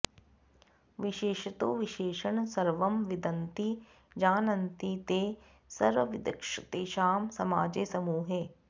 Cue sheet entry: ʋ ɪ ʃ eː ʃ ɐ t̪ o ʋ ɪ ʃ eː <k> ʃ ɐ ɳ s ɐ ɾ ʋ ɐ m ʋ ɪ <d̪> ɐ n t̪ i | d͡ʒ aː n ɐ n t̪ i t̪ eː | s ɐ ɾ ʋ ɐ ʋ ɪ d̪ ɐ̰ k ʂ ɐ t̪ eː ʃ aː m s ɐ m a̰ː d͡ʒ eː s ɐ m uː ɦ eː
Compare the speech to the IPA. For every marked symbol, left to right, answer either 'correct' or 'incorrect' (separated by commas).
incorrect, correct